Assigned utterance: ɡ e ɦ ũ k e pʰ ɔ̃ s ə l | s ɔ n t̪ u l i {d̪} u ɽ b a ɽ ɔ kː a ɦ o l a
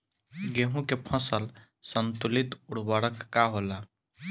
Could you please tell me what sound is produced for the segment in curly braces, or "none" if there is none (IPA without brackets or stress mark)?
t̪